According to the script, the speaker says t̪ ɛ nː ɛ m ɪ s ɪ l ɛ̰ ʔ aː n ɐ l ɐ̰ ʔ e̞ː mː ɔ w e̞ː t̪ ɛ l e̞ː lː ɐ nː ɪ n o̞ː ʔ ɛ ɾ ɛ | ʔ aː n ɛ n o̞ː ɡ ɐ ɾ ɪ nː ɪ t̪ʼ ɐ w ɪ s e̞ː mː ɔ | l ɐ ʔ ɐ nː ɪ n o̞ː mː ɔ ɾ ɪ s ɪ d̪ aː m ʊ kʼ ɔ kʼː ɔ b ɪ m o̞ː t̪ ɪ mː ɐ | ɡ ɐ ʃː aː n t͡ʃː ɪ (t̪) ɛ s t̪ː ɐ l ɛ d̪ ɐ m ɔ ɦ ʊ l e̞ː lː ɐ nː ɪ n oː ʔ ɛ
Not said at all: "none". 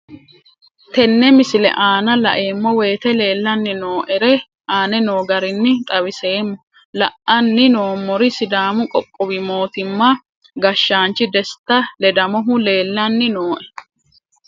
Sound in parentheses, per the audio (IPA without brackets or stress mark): d̪